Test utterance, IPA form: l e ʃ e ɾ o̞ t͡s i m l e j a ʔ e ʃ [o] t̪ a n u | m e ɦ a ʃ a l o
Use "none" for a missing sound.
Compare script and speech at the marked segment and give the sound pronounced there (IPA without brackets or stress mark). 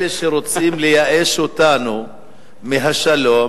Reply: o